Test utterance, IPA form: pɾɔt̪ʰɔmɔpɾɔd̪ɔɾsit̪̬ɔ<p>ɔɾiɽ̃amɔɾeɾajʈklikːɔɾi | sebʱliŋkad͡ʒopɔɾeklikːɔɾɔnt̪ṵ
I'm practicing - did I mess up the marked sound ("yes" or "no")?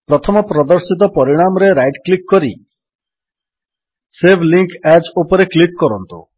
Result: no